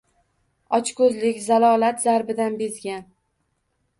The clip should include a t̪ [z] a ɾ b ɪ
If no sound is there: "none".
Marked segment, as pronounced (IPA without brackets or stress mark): z